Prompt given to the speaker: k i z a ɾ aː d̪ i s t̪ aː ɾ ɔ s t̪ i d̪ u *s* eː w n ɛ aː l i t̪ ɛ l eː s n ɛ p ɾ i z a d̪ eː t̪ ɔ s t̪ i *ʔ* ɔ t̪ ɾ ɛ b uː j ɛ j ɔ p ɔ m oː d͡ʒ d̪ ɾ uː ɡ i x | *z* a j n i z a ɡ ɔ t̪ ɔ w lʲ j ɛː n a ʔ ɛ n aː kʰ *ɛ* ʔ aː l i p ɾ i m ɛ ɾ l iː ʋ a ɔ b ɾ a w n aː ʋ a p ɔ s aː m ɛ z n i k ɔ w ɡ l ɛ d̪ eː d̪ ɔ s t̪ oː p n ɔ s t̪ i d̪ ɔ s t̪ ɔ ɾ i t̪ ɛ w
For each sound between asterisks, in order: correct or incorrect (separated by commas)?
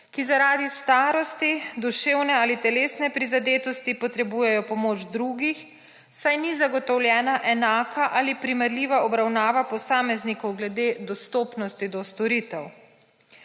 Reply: incorrect, incorrect, incorrect, incorrect